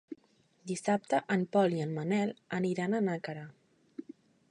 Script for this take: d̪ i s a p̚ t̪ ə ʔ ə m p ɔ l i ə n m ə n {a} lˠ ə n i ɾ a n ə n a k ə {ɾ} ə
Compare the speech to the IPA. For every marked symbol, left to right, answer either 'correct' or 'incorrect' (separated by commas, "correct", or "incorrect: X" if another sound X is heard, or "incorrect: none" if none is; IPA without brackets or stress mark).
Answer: incorrect: ɛ, correct